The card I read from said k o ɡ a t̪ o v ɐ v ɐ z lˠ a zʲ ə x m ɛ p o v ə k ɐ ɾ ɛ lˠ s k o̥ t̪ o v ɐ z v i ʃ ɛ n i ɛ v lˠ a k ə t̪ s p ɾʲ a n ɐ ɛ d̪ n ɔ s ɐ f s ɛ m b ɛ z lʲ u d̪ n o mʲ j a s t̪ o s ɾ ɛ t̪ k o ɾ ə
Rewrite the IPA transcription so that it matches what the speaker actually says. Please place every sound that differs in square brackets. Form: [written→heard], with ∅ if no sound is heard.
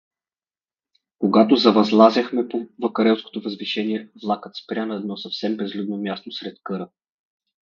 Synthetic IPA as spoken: k o ɡ a t̪ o [v→z] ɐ v ɐ z lˠ a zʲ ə x m ɛ p o v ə k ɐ ɾ ɛ lˠ s k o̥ t̪ o v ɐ z v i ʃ ɛ n i ɛ v lˠ a k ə t̪ s p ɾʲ a n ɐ ɛ d̪ n ɔ s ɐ f s ɛ m b ɛ z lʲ u d̪ n o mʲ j a s t̪ o s ɾ ɛ t̪ k [o→ɤ] ɾ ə